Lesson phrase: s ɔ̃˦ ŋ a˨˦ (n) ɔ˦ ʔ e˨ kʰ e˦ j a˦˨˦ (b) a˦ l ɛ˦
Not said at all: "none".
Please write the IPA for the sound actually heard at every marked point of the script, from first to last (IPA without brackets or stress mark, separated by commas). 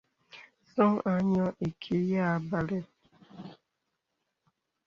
ɲ, b